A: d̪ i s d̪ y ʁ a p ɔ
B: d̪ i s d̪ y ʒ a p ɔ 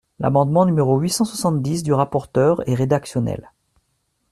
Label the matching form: A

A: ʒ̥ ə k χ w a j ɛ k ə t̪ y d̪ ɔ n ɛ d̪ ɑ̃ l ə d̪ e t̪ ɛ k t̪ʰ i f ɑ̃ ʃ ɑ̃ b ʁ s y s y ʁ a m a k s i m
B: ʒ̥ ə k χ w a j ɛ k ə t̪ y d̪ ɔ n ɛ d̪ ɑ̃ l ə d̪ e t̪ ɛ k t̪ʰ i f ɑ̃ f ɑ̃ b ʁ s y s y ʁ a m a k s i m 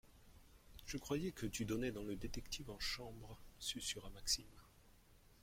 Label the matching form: A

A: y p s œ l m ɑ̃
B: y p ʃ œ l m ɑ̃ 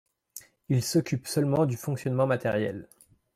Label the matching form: A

